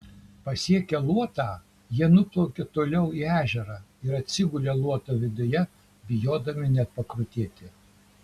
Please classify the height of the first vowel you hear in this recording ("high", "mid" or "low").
low